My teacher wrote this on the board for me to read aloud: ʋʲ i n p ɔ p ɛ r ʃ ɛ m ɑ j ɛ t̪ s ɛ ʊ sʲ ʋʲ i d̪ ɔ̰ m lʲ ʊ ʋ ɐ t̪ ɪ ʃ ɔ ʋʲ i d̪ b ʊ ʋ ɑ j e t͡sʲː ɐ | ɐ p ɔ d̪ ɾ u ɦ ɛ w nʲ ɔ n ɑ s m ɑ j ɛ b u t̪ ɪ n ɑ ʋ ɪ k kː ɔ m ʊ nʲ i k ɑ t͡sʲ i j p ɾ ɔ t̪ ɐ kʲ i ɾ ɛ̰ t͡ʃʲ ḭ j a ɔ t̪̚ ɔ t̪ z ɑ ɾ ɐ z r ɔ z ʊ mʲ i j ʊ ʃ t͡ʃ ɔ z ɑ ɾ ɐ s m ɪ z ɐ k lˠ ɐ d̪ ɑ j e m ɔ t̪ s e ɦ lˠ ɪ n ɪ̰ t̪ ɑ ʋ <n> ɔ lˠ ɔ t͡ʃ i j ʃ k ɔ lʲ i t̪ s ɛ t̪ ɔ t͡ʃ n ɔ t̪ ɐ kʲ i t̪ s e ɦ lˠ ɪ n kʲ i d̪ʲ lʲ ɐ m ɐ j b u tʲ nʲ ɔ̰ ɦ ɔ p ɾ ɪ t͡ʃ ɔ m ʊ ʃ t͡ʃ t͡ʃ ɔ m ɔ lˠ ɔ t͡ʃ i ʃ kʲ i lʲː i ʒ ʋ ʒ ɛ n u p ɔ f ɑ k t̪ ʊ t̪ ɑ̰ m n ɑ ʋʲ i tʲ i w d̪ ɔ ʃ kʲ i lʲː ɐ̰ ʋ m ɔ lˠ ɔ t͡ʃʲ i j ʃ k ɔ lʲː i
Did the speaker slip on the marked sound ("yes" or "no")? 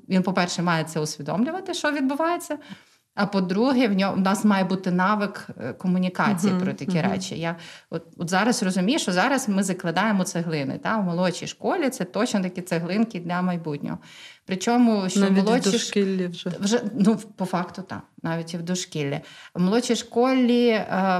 yes